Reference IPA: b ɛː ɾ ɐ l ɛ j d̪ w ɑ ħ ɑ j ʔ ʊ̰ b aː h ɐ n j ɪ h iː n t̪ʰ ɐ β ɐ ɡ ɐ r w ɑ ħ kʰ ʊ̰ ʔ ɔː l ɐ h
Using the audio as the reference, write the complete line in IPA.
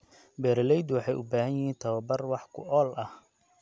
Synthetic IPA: b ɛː ɾ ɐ l ɛ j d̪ w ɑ ħ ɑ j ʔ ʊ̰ b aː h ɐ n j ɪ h iː n t̪ʰ ɐ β ɐ b ɐ r w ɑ ħ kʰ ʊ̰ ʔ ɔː l ɐ h